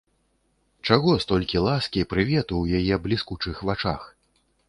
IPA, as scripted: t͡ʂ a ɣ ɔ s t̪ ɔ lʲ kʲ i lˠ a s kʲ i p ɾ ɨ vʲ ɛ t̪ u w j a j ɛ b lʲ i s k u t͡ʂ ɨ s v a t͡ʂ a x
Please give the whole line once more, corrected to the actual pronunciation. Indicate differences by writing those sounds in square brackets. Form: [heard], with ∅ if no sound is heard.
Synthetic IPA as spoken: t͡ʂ a ɣ ɔ s t̪ ɔ lʲ kʲ i lˠ a s kʲ i p ɾ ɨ vʲ ɛ t̪ u w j a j ɛ b lʲ i s k u t͡ʂ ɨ [x] v a t͡ʂ a x